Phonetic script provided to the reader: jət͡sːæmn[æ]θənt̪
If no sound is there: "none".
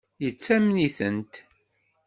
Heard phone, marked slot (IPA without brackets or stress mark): i